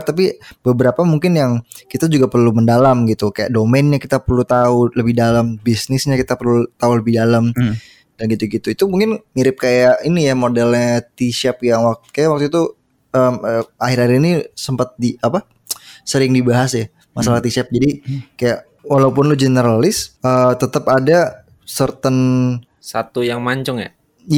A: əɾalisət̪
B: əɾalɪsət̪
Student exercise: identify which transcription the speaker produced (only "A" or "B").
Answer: B